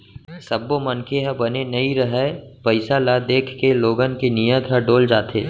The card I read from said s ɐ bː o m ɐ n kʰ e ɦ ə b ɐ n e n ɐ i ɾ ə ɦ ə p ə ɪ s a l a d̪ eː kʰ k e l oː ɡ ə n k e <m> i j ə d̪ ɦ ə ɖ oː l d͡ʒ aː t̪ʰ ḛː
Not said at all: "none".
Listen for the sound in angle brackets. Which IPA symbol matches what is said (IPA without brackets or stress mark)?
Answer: n